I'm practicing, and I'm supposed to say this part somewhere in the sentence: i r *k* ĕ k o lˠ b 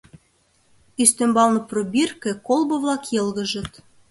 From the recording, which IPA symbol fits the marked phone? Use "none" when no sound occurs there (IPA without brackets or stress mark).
k